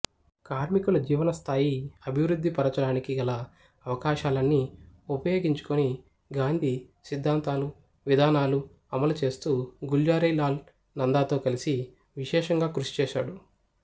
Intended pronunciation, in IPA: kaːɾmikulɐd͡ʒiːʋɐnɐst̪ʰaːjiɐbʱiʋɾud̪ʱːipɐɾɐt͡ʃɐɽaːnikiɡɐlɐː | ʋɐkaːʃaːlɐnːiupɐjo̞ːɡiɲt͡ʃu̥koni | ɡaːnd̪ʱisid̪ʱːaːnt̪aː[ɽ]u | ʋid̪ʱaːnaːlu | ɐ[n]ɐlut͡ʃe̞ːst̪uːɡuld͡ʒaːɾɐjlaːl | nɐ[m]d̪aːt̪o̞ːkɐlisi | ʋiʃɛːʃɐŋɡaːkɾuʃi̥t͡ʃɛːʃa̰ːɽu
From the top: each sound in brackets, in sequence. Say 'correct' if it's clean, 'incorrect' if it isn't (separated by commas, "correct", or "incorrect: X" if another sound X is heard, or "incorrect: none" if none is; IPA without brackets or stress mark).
incorrect: l, incorrect: m, incorrect: n